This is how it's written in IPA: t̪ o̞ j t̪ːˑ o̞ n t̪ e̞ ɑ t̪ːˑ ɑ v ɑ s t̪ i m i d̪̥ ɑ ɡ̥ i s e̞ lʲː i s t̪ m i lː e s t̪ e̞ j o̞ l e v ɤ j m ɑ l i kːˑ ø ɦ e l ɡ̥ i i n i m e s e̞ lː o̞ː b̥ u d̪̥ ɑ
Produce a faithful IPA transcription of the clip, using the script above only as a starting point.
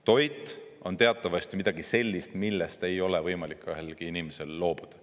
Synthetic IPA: t̪ o̞ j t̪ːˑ o̞ n t̪ e̞ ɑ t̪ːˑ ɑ v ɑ s t̪ i m i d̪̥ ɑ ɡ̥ i s e̞ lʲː i s t̪ m i lː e s t̪ e̞ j o̞ l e v ɤ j m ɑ l i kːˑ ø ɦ e l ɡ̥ i i n i m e s e̞ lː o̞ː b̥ u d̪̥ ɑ